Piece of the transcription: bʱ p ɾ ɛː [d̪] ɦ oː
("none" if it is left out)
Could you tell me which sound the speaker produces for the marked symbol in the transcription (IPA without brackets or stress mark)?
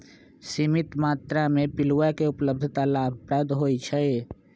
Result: d̪